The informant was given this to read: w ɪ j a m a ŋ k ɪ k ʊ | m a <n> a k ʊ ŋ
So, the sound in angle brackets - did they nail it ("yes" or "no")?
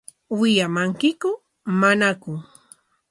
yes